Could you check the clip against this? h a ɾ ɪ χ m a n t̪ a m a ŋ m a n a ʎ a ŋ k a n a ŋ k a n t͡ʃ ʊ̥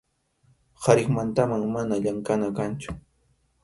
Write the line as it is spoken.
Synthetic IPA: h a ɾ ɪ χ m a n t̪ a m a ŋ m a n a ʎ a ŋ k a n a k a n t͡ʃ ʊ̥